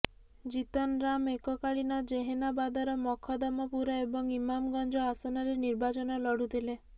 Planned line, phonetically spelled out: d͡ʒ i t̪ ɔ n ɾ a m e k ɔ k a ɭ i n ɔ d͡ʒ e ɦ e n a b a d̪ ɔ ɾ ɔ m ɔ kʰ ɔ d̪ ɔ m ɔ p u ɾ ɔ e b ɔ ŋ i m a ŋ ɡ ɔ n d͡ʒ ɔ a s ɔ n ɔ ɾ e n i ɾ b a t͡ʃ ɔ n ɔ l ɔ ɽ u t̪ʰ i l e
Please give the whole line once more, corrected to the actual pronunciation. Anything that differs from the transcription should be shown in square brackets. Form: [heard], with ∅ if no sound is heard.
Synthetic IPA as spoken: d͡ʒ i t̪ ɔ n ɾ a m e k ɔ k a ɭ i n ɔ d͡ʒ e ɦ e n a b a d̪ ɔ ɾ ɔ m ɔ kʰ ɔ d̪ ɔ m ɔ p u ɾ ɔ e b ɔ ŋ i m a [m] ɡ ɔ n d͡ʒ ɔ a s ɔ n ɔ ɾ e n i ɾ b a t͡ʃ ɔ n ɔ l ɔ ɽ u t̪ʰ i l e